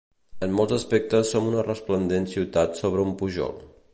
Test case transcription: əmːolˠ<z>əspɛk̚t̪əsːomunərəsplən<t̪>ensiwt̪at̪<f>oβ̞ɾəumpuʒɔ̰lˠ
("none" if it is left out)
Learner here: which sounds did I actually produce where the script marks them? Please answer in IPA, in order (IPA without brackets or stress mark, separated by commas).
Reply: z, d̪, s